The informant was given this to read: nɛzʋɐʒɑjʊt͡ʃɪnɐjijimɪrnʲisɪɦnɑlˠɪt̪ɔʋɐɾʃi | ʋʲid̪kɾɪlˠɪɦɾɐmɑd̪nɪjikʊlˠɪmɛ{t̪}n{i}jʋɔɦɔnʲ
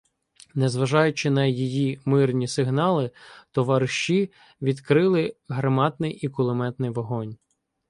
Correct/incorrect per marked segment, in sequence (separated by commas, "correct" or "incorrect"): correct, incorrect